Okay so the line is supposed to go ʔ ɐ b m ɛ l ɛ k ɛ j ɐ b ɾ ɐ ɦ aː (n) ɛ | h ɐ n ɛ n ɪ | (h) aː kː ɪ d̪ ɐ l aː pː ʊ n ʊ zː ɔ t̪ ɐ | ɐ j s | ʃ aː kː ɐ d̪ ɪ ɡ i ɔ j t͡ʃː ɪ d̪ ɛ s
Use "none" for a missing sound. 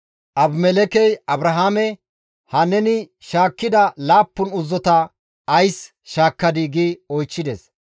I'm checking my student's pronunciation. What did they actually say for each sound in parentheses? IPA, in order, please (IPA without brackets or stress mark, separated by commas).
m, ʃ